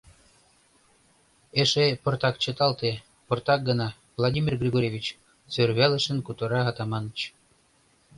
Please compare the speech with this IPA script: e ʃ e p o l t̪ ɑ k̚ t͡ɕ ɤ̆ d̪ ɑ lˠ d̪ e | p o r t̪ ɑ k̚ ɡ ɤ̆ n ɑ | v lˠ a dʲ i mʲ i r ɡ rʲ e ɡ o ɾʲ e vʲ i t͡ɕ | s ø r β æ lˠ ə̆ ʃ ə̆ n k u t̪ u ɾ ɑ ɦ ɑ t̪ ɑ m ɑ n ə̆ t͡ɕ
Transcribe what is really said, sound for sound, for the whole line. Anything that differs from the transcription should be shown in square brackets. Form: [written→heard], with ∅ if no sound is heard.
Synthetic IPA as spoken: e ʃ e p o [l→r] t̪ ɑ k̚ t͡ɕ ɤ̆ [d̪→t̪] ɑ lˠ [d̪→t̪] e | p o r t̪ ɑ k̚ ɡ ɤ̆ n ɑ | v lˠ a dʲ i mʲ i r ɡ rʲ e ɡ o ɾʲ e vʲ i t͡ɕ | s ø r β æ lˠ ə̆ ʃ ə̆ n k u t̪ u ɾ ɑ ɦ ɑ t̪ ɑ m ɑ n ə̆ t͡ɕ